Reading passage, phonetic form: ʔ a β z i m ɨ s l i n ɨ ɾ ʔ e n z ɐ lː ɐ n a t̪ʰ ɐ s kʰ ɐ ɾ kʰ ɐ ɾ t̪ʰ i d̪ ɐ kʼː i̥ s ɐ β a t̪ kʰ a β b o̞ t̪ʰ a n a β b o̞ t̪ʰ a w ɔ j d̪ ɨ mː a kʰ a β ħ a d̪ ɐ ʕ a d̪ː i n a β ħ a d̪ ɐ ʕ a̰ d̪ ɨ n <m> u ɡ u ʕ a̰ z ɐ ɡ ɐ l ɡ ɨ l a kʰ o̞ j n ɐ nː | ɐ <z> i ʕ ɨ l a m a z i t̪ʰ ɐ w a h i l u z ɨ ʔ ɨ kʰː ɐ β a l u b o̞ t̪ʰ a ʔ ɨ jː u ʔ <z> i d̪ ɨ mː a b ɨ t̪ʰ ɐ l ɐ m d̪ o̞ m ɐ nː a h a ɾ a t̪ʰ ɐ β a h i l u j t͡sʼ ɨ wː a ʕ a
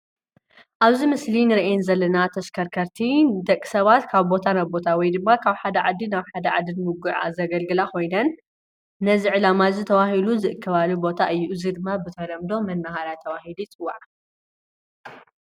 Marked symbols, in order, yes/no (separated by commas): yes, yes, yes